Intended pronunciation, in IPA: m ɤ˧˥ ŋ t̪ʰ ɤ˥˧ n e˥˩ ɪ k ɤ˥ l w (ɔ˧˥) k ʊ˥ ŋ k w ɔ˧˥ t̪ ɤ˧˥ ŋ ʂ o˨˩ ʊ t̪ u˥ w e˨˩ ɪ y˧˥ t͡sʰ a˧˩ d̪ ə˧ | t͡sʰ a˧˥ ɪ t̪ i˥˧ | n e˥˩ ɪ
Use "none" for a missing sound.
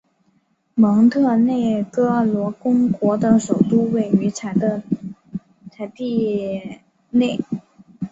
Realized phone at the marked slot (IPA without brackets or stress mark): ɔ˧˥